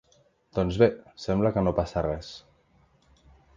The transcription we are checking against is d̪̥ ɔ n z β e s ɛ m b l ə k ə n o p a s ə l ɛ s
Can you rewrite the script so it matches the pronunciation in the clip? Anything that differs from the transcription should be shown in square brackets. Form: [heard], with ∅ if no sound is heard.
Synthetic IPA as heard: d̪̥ ɔ n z β e s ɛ m b l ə k ə n o p a s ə [r] ɛ s